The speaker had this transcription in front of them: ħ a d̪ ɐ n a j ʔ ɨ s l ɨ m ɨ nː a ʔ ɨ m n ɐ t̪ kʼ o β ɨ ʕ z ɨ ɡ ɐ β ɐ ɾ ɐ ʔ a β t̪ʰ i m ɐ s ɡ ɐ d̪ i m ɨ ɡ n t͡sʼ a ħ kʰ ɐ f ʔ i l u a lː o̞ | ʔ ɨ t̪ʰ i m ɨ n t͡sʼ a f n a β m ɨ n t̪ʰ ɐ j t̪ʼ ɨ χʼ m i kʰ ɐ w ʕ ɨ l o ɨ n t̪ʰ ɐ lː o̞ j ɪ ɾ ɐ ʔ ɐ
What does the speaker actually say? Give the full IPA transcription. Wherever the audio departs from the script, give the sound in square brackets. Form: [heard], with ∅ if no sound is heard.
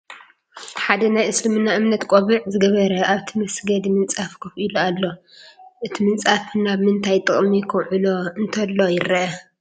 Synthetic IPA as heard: ħ a d̪ ɐ n a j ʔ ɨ s l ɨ m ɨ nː a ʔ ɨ m n ɐ t̪ kʼ o β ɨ ʕ z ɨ ɡ ɐ β ɐ ɾ ɐ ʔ a β t̪ʰ i m ɐ s ɡ ɐ d̪ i m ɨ [∅] n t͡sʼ a [f] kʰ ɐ f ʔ i l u a lː o̞ | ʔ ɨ t̪ʰ i m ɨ n t͡sʼ a f n a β m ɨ n t̪ʰ [a] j t̪ʼ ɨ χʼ m i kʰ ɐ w ʕ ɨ l o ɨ n t̪ʰ ɐ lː o̞ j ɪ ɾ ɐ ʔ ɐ